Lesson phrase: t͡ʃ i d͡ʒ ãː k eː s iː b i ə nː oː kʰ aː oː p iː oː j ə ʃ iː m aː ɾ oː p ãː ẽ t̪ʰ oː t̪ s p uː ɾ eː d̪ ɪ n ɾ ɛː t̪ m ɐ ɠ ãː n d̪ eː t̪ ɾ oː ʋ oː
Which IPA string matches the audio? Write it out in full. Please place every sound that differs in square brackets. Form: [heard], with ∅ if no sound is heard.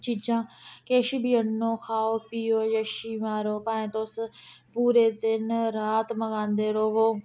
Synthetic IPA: t͡ʃ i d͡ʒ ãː k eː [ʃ] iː b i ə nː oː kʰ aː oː p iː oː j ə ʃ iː m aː ɾ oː p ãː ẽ [t̪] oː [∅] s p uː ɾ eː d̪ ɪ n ɾ [aː] t̪ m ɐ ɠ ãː n d̪ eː [∅] ɾ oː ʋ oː